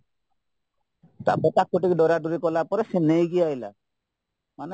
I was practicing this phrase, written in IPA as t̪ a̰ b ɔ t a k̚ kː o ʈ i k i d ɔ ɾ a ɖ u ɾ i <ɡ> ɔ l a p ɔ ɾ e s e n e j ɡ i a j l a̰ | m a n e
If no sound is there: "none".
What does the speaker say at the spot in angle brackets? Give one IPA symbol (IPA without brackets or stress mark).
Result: k